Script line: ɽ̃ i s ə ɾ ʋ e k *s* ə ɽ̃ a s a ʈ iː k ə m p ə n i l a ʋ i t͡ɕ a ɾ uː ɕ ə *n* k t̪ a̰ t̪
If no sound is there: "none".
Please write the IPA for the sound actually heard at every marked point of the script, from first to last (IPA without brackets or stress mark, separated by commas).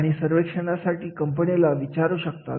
ʂ, none